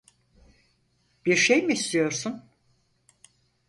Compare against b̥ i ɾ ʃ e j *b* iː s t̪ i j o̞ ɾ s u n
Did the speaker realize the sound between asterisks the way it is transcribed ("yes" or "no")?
no